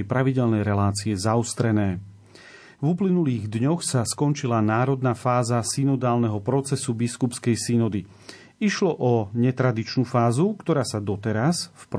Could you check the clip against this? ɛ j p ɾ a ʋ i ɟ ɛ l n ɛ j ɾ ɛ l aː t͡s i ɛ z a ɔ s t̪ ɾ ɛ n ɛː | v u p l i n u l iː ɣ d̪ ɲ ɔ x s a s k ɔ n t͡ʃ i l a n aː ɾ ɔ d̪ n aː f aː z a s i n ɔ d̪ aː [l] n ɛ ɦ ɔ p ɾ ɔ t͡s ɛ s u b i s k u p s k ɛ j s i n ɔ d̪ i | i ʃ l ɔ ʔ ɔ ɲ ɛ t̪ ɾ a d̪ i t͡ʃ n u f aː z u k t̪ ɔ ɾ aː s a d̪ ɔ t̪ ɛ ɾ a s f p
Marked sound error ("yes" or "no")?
no